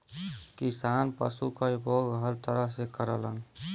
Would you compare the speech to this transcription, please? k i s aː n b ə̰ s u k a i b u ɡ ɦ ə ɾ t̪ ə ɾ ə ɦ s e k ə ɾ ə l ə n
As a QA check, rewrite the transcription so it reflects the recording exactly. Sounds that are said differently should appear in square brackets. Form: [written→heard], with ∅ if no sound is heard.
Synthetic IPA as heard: k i s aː n [b→p] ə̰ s u k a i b [u→o] ɡ ɦ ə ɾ t̪ ə ɾ ə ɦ s e k ə ɾ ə l ə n